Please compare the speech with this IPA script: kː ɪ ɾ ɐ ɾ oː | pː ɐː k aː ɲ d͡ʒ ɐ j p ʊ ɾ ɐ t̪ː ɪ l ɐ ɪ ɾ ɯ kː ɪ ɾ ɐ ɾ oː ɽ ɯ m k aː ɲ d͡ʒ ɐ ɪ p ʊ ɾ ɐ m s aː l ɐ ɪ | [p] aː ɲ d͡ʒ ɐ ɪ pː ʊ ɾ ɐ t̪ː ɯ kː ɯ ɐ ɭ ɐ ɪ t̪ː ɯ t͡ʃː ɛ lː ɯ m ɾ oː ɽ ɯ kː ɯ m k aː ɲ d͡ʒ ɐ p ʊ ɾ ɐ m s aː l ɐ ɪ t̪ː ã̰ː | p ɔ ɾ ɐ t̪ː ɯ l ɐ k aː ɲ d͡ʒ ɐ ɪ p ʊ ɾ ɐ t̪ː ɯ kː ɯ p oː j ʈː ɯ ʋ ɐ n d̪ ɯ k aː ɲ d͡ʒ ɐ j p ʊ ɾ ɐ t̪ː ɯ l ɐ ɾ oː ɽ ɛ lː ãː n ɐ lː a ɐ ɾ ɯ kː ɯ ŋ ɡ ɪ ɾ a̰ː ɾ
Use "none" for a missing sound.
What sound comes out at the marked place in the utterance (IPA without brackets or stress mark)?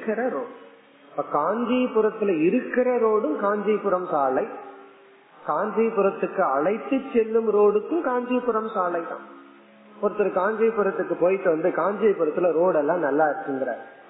k